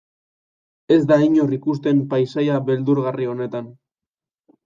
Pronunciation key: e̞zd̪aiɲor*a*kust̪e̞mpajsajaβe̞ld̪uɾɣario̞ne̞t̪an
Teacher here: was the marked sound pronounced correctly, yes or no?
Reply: no